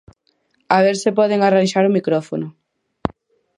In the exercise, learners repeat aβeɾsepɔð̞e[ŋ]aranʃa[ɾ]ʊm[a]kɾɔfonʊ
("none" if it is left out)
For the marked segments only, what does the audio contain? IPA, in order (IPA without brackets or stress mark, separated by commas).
ŋ, ɾ, i